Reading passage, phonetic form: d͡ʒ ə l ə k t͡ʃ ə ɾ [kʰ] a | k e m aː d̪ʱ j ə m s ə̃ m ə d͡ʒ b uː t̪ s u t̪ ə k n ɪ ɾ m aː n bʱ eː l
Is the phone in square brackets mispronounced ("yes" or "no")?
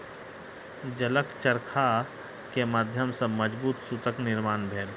no